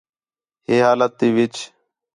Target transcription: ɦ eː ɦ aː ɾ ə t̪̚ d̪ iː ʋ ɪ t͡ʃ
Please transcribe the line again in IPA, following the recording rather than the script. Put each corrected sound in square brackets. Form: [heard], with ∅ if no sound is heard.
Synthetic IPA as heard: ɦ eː ɦ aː [l] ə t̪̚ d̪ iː ʋ ɪ t͡ʃ